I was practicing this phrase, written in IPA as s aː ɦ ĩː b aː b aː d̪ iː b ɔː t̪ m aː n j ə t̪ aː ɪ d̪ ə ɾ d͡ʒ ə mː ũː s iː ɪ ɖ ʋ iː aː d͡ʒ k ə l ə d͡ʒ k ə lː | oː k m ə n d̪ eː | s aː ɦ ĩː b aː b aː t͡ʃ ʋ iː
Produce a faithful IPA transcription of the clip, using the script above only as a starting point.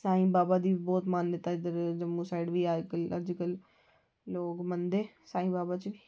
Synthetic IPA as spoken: s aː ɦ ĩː b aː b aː d̪ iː b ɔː t̪ m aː n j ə t̪ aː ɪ d̪ ə ɾ d͡ʒ ə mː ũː s aː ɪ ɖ ʋ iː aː d͡ʒ k ə l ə d͡ʒ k ə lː | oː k m ə n d̪ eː | s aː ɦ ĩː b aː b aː t͡ʃ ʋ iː